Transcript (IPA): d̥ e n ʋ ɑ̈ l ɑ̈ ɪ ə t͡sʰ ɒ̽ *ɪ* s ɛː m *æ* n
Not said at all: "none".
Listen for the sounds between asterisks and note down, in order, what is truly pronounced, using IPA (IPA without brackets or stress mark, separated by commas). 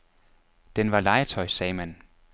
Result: ɪ, æ